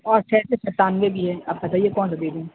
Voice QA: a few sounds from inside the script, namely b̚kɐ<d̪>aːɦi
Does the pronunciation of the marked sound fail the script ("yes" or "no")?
yes